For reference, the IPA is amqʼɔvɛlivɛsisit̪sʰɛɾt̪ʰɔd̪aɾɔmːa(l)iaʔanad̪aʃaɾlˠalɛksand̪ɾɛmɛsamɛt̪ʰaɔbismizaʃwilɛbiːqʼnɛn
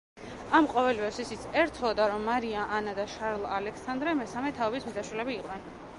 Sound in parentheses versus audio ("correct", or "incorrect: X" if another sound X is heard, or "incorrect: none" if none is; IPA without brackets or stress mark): incorrect: ɾ